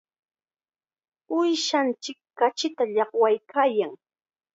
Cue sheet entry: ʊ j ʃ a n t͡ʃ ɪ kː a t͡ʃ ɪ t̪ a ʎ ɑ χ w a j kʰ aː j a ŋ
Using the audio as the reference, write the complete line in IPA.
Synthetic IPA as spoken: ʊ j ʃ a n t͡ʃ ɪ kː a t͡ʃ ɪ t̪ a ʎ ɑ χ w a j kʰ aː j a ŋ

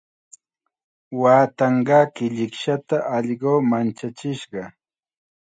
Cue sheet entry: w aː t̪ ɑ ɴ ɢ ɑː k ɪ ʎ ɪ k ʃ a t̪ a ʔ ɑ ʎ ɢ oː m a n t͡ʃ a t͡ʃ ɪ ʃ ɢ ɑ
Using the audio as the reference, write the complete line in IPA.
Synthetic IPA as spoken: w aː t̪ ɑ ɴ ɢ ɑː k ɪ ʎ ɪ k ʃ a t̪ a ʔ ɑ ʎ ɢ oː m a n t͡ʃ a t͡ʃ ɪ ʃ ɢ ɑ

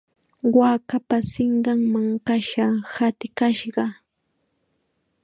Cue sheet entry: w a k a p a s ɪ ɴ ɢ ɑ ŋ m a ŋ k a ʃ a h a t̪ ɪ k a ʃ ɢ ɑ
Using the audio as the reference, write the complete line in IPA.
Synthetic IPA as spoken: w a k a p a s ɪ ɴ ɢ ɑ ŋ m a ŋ k a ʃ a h a t̪ ɪ k a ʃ ɢ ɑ

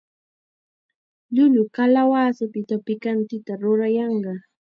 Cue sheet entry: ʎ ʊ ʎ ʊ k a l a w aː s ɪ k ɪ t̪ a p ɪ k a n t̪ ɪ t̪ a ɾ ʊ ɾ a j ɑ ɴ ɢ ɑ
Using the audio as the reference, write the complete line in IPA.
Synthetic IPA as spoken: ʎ ʊ ʎ ʊ k a l a w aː s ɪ p ɪ t̪ a p ɪ k a n t̪ ɪ t̪ a ɾ ʊ ɾ a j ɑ ɴ ɢ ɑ

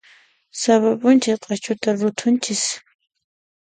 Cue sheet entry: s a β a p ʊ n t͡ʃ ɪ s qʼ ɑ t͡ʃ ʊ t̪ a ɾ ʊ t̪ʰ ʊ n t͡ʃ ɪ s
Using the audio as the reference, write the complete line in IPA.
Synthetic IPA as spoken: s a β a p ʊ n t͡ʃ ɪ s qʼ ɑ t͡ʃ ʊ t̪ a ɾ ʊ t̪ʰ ʊ n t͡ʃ ɪ s

